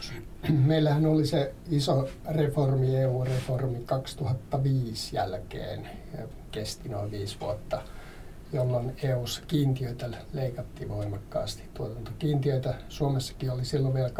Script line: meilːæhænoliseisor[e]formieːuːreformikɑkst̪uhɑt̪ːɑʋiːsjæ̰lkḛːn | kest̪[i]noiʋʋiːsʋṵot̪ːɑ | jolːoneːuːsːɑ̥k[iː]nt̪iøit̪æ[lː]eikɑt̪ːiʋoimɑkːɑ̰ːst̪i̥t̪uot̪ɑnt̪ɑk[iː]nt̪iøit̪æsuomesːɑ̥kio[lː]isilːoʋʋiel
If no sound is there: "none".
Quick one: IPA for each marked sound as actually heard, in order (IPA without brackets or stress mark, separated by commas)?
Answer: e, i, iː, l, iː, l